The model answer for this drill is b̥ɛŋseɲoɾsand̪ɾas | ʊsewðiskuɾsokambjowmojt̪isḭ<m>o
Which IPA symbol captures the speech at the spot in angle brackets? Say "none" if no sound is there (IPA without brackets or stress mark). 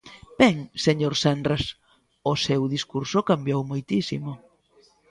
m